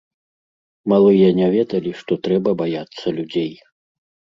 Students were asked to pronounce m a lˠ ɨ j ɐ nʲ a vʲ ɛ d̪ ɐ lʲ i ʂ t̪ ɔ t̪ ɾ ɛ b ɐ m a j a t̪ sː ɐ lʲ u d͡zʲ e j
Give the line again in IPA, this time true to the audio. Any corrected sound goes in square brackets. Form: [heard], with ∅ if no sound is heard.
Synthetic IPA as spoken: m a lˠ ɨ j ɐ nʲ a vʲ ɛ d̪ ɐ lʲ i ʂ t̪ ɔ t̪ ɾ ɛ b ɐ [b] a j a t̪ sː ɐ lʲ u d͡zʲ e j